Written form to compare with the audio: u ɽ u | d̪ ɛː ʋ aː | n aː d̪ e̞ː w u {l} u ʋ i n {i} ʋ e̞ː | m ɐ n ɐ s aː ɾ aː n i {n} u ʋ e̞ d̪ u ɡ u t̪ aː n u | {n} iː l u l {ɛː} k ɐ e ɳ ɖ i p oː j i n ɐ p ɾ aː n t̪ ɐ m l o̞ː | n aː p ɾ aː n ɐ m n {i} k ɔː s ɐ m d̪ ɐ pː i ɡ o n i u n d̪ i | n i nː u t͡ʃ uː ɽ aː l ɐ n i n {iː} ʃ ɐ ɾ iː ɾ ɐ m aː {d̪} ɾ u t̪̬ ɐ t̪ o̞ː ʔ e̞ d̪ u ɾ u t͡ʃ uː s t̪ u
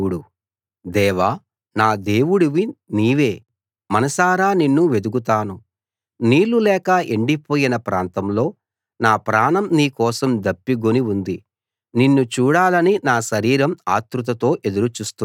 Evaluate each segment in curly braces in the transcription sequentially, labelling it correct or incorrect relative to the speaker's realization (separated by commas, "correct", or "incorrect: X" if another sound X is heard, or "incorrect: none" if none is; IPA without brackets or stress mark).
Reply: incorrect: ɽ, incorrect: iː, incorrect: nː, correct, correct, incorrect: iː, incorrect: aː, incorrect: t̪